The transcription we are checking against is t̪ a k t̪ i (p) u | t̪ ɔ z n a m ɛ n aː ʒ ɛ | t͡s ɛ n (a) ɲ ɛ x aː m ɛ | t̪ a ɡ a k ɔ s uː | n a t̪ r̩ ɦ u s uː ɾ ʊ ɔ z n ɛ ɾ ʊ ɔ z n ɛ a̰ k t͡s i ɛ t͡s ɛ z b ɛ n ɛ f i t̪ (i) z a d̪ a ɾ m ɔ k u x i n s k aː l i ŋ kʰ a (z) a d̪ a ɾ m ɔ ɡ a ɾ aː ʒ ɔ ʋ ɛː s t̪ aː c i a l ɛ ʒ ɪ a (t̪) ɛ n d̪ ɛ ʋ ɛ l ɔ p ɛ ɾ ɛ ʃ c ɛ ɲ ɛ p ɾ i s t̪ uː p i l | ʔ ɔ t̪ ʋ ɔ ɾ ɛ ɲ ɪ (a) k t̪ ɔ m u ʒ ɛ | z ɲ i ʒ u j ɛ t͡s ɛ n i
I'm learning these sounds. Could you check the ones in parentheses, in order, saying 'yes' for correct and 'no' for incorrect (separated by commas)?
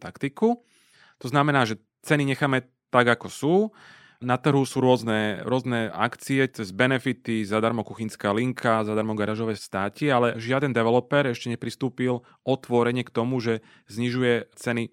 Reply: no, no, yes, yes, no, no